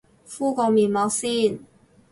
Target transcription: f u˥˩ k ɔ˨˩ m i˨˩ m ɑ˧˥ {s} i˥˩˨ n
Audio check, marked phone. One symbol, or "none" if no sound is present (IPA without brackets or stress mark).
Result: s